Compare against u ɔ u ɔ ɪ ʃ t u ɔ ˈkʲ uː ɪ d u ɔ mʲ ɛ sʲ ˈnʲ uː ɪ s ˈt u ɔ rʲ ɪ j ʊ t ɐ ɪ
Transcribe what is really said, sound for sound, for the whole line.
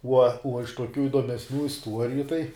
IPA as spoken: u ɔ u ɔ ɪ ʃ t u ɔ ˈkʲ uː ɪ d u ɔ mʲ ɛ sʲ ˈnʲ uː ɪ s ˈt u ɔ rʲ ɪ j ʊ t ɐ ɪ